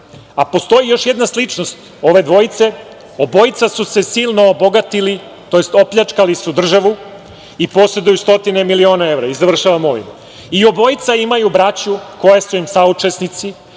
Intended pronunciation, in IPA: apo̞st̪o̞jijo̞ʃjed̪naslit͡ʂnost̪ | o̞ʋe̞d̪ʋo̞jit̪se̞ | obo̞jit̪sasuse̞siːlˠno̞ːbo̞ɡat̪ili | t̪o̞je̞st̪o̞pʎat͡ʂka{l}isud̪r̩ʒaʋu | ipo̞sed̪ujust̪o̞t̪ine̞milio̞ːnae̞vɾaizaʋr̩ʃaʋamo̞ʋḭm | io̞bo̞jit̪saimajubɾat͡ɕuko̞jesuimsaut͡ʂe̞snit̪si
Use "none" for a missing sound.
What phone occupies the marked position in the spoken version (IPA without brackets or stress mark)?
l